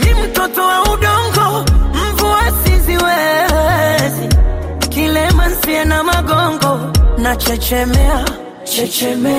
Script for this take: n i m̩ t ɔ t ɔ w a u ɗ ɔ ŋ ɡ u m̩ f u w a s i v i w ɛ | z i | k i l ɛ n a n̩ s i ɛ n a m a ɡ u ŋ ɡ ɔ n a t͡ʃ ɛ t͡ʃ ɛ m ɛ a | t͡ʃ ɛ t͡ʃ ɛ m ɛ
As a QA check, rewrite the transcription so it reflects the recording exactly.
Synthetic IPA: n i m̩ t ɔ t ɔ w a u ɗ ɔ ŋ ɡ ɔ m̩ v u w a s i z i w ɛ | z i | k i l ɛ m a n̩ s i ɛ n a m a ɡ ɔ ŋ ɡ ɔ n a t͡ʃ ɛ t͡ʃ ɛ m ɛ a | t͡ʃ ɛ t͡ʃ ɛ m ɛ